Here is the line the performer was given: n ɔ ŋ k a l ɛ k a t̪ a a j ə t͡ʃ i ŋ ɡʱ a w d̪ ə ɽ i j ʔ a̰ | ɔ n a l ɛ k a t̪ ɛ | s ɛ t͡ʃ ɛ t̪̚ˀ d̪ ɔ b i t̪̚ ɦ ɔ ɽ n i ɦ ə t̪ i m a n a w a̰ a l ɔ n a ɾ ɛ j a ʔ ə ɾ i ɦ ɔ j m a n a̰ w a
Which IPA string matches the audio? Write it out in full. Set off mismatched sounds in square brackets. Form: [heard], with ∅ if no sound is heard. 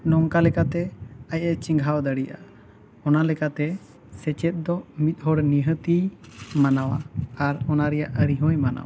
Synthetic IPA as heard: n ɔ ŋ k a l ɛ k a t̪ [ɛ] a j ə t͡ʃ i ŋ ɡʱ a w d̪ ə ɽ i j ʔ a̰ | ɔ n a l ɛ k a t̪ ɛ | s ɛ t͡ʃ ɛ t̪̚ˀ d̪ ɔ [m] i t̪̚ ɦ ɔ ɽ n i ɦ ə t̪ i m a n a w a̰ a [ɾ] ɔ n a ɾ ɛ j a ʔ ə ɾ i ɦ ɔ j m a n a̰ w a